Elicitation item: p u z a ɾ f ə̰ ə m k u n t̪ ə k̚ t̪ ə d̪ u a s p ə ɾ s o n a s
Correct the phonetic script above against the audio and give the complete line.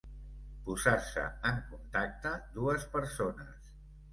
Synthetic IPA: p u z a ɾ s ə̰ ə ŋ k u n t̪ a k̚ t̪ ə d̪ u ə s p ə ɾ s o n ə s

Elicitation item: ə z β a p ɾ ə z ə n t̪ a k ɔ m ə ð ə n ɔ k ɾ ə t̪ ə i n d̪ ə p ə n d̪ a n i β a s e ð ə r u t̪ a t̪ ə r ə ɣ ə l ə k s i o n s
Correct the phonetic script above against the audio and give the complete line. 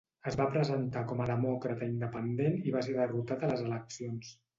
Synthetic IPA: ə z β a p ɾ ə z ə n t̪ a k ɔ m ə ð ə m ɔ k ɾ ə t̪ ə i n d̪ ə p ə n d̪ e n i β a s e ð ə r u t̪ a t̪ ə l ə z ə l ə k s i o n s

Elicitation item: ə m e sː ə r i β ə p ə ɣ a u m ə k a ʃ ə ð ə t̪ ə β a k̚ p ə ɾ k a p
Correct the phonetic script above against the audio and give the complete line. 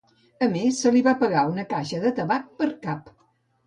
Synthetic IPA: ə m e sː ə l i β a p ə ɣ a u n ə k a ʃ ə ð ə t̪ ə β a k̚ p ə ɾ k a p

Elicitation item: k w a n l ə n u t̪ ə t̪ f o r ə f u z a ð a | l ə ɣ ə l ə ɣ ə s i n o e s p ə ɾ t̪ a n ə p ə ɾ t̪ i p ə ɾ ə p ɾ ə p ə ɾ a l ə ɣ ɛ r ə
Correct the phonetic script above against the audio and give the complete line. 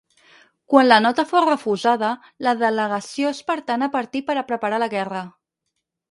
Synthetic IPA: k w a n l ə n ɔ t̪ ə f o r ə f u z a ð ə | l ə ð ə l ə ɣ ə s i o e s p ə ɾ t̪ a n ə p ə ɾ t̪ i p ə ɾ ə p ɾ ə p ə ɾ a l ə ɣ ɛ r ə

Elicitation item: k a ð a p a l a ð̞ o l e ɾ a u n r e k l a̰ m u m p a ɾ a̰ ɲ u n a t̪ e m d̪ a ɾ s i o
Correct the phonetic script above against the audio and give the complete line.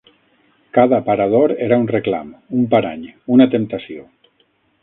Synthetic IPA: k a ð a p a ɾ a ð̞ o ɾ e ɾ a u n r e k l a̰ m u m p a ɾ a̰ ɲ u n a t̪ e m t̪ a s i o

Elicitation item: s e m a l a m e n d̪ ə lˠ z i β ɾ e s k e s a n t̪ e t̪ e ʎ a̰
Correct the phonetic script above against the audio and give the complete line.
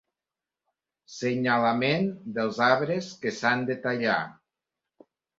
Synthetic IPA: s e ɲ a l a m e n d̪ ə lˠ z a β ɾ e s k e s a n d̪ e t̪ a ʎ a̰

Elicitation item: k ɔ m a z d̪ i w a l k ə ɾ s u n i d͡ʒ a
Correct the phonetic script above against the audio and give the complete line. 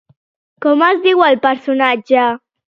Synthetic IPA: k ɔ m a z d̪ i w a l p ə ɾ s u n a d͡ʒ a

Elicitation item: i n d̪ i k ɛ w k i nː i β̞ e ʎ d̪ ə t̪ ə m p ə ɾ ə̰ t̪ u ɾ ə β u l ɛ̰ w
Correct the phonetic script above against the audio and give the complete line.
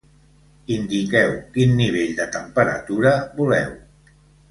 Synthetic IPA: i n d̪ i k ɛ w k i nː i β̞ e ʎ d̪ ə t̪ ə m p ə ɾ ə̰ t̪ u ɾ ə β u l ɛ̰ w

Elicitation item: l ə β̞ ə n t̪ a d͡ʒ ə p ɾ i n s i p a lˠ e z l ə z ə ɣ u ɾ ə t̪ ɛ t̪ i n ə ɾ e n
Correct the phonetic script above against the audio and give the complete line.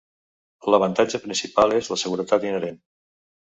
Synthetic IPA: l ə β̞ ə n t̪ a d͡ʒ ə p ɾ i n s i p a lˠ e z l ə s ə ɣ u ɾ ə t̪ a t̪ i n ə ɾ e n

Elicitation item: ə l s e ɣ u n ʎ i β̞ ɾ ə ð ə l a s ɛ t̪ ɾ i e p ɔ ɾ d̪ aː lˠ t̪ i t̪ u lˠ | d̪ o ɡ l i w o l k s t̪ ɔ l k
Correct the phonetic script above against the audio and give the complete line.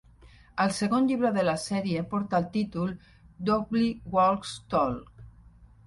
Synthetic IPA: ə l s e ɣ o n ʎ i β̞ ɾ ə ð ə l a s ɛ ɾ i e p ɔ ɾ t̪ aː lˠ t̪ i t̪ u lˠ | d̪ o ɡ l i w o l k s t̪ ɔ l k

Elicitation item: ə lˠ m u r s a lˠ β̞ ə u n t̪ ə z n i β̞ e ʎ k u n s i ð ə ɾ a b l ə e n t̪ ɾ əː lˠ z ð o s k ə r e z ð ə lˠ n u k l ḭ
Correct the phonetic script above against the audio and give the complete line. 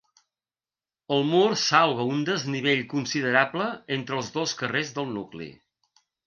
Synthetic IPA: ə lˠ m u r s a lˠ β̞ ə u n d̪ ə z n i β̞ e ʎ k u n s i ð ə ɾ a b l ə e n t̪ ɾ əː lˠ z ð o s k ə r e z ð ə lˠ n u k l ḭ

